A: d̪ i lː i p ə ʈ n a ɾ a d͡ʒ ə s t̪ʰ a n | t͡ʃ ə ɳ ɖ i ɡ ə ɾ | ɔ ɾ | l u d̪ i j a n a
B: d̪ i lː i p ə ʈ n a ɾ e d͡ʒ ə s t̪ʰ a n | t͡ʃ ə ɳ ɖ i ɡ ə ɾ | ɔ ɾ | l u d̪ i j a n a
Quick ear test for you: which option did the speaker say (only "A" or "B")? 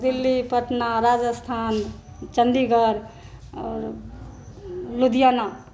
A